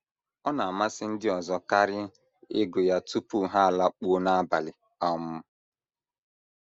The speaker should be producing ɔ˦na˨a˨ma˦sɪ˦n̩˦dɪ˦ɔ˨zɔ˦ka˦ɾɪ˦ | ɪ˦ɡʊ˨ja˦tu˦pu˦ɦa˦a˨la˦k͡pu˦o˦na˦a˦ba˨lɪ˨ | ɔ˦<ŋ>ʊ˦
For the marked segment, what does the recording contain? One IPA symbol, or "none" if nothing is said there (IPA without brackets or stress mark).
m